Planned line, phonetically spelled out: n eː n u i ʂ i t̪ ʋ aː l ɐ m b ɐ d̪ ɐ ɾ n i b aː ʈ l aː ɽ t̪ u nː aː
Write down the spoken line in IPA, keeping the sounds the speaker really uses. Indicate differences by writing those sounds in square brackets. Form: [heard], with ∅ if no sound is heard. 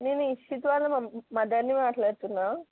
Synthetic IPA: n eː n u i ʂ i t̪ ʋ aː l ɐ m [m] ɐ d̪ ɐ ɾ n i [m] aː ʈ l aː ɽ t̪ u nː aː